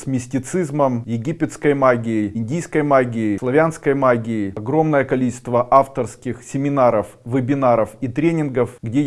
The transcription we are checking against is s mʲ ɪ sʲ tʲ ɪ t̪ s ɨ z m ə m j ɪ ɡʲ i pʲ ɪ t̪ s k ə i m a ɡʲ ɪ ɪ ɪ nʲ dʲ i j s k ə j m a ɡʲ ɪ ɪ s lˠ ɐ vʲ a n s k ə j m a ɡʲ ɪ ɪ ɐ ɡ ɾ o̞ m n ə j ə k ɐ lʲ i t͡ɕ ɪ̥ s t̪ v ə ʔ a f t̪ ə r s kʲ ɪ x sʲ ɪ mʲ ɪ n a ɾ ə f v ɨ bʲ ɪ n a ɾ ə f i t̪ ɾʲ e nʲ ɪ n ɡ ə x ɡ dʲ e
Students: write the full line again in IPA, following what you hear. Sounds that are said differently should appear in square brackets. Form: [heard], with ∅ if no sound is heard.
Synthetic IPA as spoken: s mʲ ɪ sʲ tʲ ɪ t̪ s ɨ z m ə m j ɪ ɡʲ i pʲ ɪ t̪ s k ə [j] m a ɡʲ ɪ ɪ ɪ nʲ dʲ i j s k ə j m a ɡʲ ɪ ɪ s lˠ ɐ vʲ a n s k ə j m a ɡʲ ɪ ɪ ɐ ɡ ɾ o̞ m n ə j ə k ɐ lʲ i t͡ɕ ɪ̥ s t̪ v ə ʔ a f t̪ ə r s kʲ ɪ x sʲ ɪ mʲ ɪ n a ɾ ə f v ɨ bʲ ɪ n a ɾ ə f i t̪ ɾʲ e nʲ ɪ n ɡ ə [f] ɡ dʲ e